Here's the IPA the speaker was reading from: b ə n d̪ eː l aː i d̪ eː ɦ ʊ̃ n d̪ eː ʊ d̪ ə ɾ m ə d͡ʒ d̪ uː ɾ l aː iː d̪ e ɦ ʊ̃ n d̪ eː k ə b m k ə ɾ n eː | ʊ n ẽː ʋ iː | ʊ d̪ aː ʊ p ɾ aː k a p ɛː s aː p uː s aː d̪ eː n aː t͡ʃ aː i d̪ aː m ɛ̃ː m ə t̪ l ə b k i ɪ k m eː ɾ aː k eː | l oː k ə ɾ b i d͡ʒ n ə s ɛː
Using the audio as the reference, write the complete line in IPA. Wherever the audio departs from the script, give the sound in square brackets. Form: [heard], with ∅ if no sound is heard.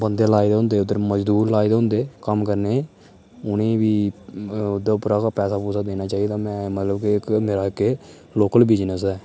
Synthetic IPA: b ə n d̪ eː l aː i d̪ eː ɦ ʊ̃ n d̪ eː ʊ d̪ ə ɾ m ə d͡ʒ d̪ uː ɾ l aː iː d̪ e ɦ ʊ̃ n d̪ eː k ə [∅] m k ə ɾ n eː | ʊ n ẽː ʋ iː | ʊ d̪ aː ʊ p ɾ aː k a p ɛː s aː p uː s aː d̪ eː n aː t͡ʃ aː i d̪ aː m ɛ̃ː m ə t̪ l ə b k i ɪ k m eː ɾ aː k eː | l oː k ə [l] b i d͡ʒ n ə s ɛː

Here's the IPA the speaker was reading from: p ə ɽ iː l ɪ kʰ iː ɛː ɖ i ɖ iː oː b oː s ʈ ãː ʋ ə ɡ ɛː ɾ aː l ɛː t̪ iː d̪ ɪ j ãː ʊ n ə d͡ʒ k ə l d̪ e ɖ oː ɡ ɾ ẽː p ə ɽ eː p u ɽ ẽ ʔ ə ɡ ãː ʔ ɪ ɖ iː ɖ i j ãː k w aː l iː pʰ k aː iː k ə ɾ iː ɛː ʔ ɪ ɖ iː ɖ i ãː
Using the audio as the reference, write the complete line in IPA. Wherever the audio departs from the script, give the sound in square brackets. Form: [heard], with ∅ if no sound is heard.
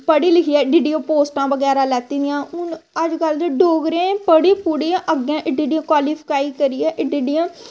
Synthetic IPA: p ə ɽ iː l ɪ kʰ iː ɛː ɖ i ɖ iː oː [p] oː s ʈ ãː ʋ ə ɡ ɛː ɾ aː l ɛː t̪ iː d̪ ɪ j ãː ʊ n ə d͡ʒ k ə l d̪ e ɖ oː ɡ ɾ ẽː p ə ɽ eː p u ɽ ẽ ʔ ə ɡ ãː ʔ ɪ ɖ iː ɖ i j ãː k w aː l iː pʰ k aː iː k ə ɾ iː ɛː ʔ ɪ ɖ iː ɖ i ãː

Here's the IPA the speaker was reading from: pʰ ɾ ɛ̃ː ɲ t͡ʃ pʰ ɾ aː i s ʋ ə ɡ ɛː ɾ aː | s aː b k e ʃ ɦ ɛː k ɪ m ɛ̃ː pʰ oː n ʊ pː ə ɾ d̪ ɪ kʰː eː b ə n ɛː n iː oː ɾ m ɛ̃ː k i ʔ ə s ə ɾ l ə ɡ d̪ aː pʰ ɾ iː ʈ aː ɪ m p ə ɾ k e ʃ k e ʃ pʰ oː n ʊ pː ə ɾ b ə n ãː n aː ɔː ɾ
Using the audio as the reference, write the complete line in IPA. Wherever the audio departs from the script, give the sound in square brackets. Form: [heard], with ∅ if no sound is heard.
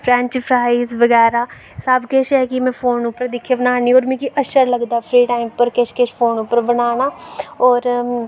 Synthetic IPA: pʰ ɾ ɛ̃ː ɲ t͡ʃ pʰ ɾ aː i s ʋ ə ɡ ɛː ɾ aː | s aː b k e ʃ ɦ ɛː k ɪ m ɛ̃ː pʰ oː n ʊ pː ə ɾ d̪ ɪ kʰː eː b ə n [aː] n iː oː ɾ m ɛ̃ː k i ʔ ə [ʃ] ə ɾ l ə ɡ d̪ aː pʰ ɾ iː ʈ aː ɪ m p ə ɾ k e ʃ k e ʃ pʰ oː n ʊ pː ə ɾ b ə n [aː] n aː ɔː ɾ

